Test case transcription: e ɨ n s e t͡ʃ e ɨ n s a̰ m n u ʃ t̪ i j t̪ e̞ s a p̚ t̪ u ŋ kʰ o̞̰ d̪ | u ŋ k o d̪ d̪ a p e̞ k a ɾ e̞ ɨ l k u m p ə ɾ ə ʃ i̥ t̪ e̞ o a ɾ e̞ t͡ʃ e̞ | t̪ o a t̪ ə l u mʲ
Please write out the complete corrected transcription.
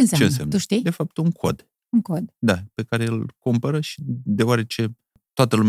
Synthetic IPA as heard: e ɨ n s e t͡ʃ e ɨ n s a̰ m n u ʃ t̪ i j d̪ e̞ f a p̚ t̪ u ŋ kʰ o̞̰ d̪ | u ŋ k o d̪ d̪ a p e̞ k a ɾ e̞ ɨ l k u m p ə ɾ ə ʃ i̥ d̪ e̞ o a ɾ e̞ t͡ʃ e̞ | t̪ o a t̪ ə l u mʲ